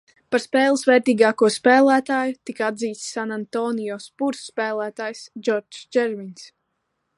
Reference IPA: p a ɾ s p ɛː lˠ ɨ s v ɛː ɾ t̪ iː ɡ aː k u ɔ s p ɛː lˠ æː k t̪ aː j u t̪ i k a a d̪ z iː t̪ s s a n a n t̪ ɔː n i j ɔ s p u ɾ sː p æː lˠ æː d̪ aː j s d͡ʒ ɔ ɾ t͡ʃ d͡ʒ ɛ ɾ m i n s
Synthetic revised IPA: p a ɾ s p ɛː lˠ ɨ s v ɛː ɾ t̪ iː ɡ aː k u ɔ s p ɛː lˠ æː t̪ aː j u t̪ i k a a d̪ z iː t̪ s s a n a n t̪ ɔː n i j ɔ s p u ɾ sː p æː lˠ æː t̪ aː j s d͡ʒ ɔ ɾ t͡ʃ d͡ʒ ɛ ɾ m i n s